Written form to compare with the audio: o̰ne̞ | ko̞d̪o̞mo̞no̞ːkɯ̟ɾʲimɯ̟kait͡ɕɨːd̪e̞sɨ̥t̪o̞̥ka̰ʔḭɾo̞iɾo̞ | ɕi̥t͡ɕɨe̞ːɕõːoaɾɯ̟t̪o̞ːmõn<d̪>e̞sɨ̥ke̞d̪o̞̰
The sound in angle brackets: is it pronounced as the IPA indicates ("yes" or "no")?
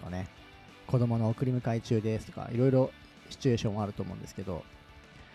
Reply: yes